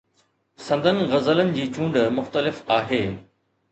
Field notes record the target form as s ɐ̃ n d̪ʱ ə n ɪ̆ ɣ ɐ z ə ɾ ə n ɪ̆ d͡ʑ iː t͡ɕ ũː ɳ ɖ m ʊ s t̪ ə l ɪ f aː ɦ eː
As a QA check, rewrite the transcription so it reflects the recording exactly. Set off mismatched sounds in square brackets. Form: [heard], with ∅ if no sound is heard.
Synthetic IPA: s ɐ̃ n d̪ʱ ə n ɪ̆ ɣ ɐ z ə [l] ə n ɪ̆ d͡ʑ iː t͡ɕ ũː ɳ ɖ m ʊ [x] t̪ ə l ɪ f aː ɦ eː